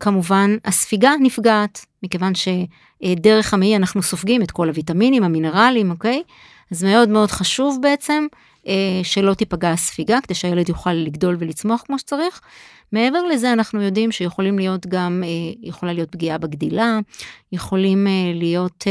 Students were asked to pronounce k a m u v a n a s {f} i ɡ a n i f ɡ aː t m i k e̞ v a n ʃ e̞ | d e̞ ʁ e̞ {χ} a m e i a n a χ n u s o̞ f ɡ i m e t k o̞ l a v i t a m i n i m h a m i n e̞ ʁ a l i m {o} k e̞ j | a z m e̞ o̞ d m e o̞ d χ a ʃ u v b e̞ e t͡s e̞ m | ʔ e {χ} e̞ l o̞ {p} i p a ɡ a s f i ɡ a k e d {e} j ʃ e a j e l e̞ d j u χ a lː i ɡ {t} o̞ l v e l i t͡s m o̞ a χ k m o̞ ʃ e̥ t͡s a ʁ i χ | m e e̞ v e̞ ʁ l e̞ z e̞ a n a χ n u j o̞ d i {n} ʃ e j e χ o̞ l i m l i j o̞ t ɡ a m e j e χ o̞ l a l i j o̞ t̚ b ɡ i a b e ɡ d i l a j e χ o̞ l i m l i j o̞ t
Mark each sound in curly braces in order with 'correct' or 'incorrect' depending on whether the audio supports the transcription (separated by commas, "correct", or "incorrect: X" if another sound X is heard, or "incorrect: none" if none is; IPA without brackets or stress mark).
correct, correct, correct, incorrect: ʃ, incorrect: t, correct, incorrect: d, incorrect: m